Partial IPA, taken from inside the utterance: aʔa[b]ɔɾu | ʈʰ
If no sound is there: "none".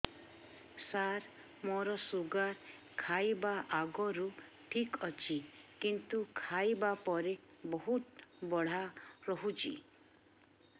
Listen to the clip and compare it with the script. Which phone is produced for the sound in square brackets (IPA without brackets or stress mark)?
ɡ